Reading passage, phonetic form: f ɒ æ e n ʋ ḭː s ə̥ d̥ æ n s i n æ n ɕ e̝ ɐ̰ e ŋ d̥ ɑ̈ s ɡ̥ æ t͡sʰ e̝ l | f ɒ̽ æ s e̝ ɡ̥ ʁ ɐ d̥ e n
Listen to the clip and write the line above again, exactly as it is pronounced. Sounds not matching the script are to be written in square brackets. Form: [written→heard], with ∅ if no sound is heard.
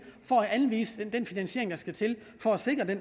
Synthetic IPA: f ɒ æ [e→æ] n ʋ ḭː s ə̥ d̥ [æ→e] n [s→f] i n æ n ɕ e̝ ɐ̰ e ŋ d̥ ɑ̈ s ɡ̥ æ t͡sʰ e̝ l | f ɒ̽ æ s e̝ ɡ̥ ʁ ɐ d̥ e n